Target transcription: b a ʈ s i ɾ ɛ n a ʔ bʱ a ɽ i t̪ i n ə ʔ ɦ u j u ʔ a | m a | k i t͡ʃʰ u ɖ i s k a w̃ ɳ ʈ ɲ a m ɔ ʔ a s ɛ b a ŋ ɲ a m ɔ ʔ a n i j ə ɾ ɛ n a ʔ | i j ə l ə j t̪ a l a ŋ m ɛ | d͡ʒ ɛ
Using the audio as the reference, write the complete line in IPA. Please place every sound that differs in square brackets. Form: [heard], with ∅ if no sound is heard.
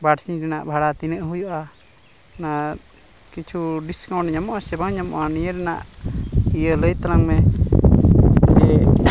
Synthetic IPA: b a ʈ s i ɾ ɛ n a ʔ bʱ a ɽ [a] t̪ i n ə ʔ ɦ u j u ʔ a | [n] a | k i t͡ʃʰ u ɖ i s k a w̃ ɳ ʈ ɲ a m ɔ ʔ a s ɛ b a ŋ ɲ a m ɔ ʔ a n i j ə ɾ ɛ n a ʔ | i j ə l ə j t̪ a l a ŋ m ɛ | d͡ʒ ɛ

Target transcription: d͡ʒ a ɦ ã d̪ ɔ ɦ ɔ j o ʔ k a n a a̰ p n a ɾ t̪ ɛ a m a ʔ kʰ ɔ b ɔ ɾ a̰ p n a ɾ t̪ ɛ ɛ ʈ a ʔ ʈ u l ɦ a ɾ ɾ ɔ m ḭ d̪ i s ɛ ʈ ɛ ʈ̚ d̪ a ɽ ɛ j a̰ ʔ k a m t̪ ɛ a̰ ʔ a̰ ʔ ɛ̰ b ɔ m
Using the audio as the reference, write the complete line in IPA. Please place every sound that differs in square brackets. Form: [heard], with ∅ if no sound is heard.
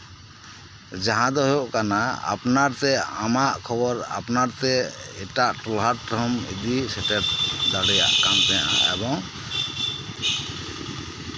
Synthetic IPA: d͡ʒ a ɦ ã d̪ ɔ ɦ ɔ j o ʔ k a n a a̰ p n a ɾ t̪ ɛ a m a ʔ kʰ ɔ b ɔ ɾ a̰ p n a ɾ t̪ ɛ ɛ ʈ a ʔ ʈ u l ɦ a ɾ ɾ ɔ m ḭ d̪ i s ɛ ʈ ɛ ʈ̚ d̪ a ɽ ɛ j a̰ ʔ k a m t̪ ɛ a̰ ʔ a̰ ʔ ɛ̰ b ɔ [ŋ]

